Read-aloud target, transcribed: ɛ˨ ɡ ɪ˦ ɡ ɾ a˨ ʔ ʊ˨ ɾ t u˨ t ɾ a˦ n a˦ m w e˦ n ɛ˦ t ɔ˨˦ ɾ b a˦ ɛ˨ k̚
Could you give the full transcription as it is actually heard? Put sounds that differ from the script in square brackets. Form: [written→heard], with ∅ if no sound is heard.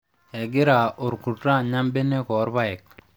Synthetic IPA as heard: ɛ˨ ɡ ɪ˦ [ɡ→∅] ɾ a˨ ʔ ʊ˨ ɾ [t→k] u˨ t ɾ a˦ [n→ɲ] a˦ m [w→b] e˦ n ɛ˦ [t→k] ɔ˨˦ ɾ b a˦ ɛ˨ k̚

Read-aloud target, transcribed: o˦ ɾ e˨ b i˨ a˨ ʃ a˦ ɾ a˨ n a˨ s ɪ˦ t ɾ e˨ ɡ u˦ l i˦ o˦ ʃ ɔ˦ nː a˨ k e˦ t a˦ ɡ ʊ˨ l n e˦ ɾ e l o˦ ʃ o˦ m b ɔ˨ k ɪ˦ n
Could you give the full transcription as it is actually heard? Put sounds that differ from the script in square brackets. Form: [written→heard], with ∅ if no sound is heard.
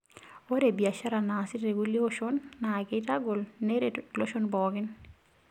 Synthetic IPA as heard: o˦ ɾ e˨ b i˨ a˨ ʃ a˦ ɾ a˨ n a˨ s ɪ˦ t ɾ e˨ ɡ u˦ l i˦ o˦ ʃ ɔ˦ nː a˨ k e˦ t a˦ ɡ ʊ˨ l n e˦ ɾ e l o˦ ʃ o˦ [m→n] b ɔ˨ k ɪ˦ n

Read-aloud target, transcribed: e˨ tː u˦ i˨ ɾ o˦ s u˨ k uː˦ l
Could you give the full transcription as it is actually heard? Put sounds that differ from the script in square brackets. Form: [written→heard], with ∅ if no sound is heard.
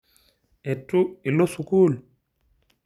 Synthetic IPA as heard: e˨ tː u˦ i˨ [ɾ→l] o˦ s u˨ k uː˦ l

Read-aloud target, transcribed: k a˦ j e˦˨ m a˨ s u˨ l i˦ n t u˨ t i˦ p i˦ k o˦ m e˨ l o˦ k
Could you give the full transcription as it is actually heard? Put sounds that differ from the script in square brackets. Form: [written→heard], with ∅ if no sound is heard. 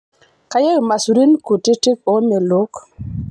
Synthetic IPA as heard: k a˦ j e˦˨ m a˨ s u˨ [l→ɾ] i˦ n [t→k] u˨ t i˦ [p→t] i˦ k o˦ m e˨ l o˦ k

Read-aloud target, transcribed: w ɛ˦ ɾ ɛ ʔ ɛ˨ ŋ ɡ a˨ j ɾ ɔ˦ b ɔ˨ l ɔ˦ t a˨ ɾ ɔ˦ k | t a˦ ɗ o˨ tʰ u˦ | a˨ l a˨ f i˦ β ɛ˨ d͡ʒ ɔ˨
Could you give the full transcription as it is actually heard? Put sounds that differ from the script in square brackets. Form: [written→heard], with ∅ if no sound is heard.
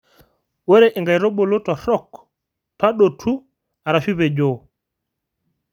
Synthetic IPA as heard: w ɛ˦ ɾ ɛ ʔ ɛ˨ ŋ ɡ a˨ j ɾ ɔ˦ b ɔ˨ l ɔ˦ t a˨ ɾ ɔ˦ k | t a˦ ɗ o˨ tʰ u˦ | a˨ [l→ɾ] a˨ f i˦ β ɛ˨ d͡ʒ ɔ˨

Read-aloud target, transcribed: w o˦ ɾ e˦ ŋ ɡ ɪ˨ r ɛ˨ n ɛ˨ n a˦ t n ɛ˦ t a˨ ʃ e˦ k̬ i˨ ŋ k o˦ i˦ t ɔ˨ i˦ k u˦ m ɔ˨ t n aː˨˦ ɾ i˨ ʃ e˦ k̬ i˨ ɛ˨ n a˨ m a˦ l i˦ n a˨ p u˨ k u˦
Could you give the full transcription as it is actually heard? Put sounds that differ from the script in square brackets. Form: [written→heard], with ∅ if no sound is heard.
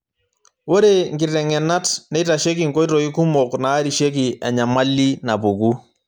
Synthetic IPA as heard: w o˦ ɾ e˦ ŋ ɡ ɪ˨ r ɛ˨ [n→ŋ] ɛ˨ n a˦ t n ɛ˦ t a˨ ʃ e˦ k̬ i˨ ŋ k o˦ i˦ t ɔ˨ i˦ k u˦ m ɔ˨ [t→k] n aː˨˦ ɾ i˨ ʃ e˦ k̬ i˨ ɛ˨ [n→ɲ] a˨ m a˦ l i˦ n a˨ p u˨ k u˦

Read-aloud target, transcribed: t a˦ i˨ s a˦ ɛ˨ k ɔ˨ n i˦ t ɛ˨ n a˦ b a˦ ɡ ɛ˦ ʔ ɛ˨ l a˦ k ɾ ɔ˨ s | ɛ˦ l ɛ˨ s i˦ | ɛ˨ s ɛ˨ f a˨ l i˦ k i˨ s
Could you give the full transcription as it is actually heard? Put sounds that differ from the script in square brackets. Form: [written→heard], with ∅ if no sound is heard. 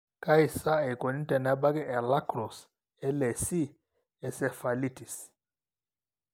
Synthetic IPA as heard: [t→k] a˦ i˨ s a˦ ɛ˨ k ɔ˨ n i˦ t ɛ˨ n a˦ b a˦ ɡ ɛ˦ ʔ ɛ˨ l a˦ k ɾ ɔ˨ s | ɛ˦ l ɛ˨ s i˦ | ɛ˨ s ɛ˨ f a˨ l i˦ [k→t] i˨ s

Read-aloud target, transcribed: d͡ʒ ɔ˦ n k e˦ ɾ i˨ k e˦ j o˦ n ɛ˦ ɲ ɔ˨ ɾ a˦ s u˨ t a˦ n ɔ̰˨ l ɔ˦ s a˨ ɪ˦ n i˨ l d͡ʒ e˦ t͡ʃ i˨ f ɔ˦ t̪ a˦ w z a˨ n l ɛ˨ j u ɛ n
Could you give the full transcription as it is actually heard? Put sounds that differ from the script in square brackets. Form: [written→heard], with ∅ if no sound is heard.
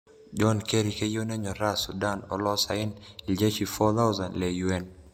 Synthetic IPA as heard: d͡ʒ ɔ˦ n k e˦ ɾ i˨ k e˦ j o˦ n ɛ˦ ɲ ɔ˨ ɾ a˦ s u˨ [t→d] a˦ n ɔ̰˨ l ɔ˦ s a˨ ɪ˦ n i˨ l d͡ʒ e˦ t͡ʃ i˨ f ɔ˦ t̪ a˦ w z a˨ n l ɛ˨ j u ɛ n

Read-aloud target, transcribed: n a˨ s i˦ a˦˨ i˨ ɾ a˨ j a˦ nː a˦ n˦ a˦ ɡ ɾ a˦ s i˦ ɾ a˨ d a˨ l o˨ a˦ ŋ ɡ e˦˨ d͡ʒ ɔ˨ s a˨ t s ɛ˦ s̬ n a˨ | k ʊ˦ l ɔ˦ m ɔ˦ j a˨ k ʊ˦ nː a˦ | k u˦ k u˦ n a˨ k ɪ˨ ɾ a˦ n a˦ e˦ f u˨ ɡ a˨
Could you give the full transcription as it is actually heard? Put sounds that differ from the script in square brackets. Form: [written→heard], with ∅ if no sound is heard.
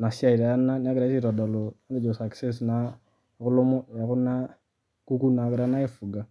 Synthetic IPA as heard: n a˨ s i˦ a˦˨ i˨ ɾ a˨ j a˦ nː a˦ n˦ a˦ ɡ ɾ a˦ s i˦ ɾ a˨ d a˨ l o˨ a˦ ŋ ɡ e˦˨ d͡ʒ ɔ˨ s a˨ [t→k] s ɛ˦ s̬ n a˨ | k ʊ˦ l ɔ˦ m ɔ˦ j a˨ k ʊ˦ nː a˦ | k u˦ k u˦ n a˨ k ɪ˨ ɾ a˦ n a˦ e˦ f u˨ ɡ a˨

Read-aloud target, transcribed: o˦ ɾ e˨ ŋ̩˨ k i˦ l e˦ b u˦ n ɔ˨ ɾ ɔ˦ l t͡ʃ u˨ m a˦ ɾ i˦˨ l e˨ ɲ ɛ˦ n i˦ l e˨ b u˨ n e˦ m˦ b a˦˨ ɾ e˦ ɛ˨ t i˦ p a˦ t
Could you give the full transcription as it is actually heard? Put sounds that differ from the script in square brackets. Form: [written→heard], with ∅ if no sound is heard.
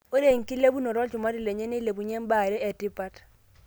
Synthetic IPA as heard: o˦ ɾ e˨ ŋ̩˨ k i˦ l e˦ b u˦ n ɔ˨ ɾ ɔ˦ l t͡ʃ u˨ m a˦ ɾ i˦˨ l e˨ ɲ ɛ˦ n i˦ l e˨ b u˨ [n→ɲ] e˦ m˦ b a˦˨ ɾ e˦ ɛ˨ t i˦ p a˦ t

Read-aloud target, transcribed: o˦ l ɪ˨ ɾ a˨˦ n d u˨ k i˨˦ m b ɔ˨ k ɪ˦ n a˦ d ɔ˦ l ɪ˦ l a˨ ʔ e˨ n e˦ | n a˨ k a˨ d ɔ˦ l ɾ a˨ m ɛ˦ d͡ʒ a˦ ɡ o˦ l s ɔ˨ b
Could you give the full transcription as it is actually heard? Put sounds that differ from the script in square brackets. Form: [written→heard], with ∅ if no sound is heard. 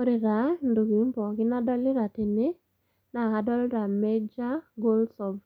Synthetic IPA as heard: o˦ [l→ɾ] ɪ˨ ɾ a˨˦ n d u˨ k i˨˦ m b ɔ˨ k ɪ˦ n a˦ d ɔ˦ l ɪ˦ [l→ɾ] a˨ [ʔ→t] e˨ n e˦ | n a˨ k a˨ d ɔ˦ l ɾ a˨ m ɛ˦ d͡ʒ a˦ ɡ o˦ l s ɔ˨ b

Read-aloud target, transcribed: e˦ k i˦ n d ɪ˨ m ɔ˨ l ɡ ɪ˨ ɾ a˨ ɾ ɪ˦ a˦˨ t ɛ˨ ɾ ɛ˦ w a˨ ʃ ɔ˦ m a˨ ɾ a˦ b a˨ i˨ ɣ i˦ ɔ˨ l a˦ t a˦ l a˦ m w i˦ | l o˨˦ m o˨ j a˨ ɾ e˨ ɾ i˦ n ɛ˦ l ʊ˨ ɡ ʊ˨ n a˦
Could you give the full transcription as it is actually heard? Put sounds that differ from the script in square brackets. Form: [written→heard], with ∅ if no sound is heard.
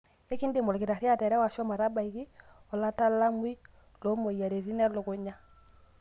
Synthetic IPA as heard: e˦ k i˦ n d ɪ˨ m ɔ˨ l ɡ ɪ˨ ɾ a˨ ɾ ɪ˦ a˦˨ t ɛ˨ ɾ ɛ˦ w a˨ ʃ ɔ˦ m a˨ ɾ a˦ b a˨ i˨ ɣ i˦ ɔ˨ l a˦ t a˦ l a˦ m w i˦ | l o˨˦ m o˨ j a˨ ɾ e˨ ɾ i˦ n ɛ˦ l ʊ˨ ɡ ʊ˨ [n→ɲ] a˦

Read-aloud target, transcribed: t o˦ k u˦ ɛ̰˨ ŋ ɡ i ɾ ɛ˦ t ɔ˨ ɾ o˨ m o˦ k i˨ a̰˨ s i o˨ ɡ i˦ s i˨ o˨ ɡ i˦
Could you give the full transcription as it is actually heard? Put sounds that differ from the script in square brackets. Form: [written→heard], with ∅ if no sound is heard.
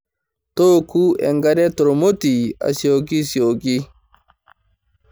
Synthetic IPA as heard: t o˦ k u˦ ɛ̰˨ ŋ ɡ [i→a] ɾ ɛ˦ t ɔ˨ ɾ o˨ m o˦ [k→t] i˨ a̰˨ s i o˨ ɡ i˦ s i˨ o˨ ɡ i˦

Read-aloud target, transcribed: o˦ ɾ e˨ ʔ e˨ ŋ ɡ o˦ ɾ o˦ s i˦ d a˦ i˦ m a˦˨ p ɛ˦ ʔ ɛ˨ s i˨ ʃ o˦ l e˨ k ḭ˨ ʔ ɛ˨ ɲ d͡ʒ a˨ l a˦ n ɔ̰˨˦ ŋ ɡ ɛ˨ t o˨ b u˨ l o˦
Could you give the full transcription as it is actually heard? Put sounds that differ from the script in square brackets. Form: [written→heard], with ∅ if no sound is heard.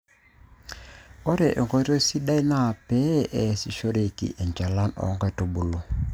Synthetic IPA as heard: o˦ ɾ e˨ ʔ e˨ ŋ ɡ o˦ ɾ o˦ s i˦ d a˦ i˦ [m→n] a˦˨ p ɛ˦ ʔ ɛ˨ s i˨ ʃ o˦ [l→ɾ] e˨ k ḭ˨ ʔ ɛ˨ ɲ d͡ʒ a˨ l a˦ n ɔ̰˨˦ ŋ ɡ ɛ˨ t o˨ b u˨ l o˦

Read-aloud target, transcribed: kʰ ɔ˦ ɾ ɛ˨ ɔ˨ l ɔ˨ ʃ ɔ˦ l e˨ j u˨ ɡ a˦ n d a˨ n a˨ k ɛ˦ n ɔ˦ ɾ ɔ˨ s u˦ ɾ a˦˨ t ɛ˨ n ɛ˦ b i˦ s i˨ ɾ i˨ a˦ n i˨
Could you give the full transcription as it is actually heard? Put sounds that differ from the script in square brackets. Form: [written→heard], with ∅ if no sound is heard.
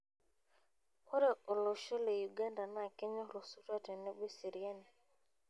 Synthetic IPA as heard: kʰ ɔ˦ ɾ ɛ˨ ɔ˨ l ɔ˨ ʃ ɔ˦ l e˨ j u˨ ɡ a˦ n d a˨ n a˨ k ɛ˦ [n→ɲ] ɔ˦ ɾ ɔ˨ s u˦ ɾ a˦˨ t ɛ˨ n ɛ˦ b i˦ s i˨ ɾ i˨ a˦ n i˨

